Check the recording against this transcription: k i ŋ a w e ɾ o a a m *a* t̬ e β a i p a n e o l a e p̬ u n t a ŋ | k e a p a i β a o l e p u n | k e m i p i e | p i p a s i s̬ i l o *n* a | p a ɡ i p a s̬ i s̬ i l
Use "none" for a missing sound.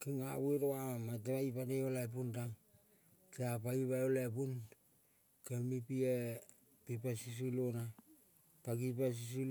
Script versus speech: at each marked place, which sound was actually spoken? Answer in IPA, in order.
a, n

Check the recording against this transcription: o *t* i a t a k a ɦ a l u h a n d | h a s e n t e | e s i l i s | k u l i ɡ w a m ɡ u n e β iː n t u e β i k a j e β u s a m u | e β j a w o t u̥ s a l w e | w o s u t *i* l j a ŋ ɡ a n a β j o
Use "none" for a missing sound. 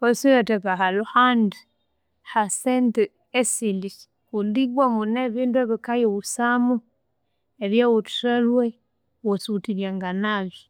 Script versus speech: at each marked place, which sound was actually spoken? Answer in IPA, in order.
s, i

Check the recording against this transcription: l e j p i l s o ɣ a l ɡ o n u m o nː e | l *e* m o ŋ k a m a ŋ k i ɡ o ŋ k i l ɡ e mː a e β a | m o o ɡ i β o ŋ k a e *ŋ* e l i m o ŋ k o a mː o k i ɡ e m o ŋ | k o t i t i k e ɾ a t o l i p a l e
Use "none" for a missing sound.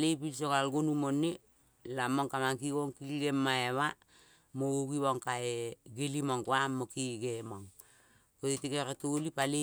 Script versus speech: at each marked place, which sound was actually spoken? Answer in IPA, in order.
a, ɡ

